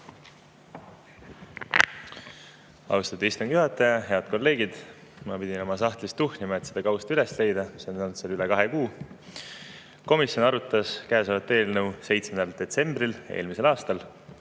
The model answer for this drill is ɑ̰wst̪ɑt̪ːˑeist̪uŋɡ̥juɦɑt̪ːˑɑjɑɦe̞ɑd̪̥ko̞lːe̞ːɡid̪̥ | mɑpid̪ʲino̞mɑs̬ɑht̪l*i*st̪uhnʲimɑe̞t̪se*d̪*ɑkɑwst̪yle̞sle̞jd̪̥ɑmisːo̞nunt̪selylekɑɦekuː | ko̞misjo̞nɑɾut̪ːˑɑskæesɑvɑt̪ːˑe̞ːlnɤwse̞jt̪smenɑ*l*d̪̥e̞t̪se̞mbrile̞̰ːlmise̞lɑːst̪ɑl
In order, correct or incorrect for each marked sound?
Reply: correct, correct, correct

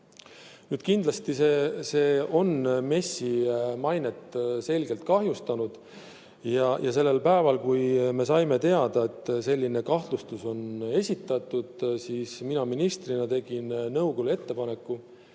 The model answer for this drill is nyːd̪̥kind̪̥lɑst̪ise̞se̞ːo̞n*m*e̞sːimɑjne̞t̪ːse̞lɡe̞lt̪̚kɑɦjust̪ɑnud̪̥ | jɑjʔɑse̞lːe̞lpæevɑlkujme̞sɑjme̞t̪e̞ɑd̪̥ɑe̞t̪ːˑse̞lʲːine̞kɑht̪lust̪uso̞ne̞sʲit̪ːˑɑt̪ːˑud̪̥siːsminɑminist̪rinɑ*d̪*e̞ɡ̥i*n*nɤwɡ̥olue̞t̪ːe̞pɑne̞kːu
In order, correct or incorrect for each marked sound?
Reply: correct, incorrect: t̪, correct

